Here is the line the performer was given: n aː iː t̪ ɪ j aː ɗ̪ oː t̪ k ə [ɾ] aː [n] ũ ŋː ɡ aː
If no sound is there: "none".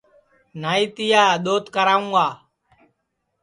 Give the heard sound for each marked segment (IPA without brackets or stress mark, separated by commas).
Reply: ɾ, none